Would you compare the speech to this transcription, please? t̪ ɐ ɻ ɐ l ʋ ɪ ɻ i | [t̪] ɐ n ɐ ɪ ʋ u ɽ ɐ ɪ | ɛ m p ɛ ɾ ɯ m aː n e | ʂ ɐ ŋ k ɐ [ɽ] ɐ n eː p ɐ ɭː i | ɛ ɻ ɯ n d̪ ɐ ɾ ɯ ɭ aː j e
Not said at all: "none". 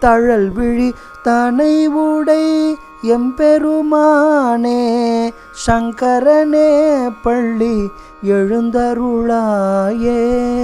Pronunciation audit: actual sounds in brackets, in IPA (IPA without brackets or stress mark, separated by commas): t̪, ɾ